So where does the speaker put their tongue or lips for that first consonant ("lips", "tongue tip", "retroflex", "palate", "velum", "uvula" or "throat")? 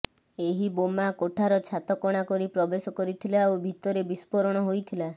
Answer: throat